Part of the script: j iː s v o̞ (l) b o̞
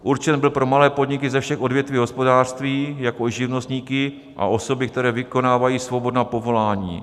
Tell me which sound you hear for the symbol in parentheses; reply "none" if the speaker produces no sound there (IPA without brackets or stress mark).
none